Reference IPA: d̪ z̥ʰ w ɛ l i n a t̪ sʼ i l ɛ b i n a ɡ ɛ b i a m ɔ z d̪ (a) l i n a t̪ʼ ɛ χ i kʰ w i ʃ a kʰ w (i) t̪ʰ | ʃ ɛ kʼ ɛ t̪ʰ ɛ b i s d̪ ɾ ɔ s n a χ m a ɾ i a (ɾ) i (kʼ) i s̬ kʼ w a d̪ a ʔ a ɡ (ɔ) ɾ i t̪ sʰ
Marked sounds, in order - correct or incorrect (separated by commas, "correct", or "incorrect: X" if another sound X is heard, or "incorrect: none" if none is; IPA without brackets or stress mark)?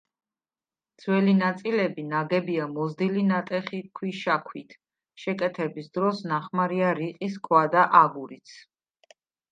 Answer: incorrect: i, correct, correct, incorrect: qʼ, incorrect: u